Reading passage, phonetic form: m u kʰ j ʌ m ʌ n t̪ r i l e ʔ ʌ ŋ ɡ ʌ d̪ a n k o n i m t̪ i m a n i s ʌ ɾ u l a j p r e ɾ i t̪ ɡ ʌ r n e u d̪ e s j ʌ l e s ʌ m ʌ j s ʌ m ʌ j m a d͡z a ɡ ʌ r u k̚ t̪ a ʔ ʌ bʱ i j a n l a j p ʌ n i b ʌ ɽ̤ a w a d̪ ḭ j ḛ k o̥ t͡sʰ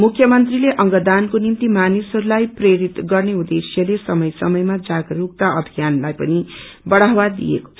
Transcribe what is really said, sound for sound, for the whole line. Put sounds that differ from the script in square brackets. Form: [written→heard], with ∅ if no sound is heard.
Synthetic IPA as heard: m u kʰ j ʌ m ʌ n t̪ r i l e ʔ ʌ ŋ ɡ ʌ d̪ a n k o n i m t̪ i m a n i s ʌ ɾ u l a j p r e ɾ i t̪ ɡ ʌ r n e u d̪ e s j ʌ l e s ʌ m ʌ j s ʌ m ʌ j m a d͡z a ɡ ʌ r u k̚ t̪ a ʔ ʌ bʱ i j a n l a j p ʌ n i b ʌ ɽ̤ a w a d̪ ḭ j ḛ k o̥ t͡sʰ